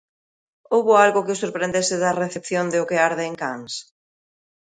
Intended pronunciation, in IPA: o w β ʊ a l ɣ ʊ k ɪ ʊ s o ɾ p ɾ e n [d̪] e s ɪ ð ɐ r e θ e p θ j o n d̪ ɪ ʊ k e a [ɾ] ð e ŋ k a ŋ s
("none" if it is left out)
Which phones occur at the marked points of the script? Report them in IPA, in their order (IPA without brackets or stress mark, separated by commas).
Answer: d̪, ɾ